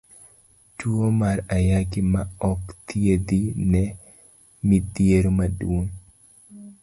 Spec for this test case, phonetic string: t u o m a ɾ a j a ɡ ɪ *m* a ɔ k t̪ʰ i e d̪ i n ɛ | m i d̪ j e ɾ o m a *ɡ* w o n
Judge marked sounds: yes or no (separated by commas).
yes, no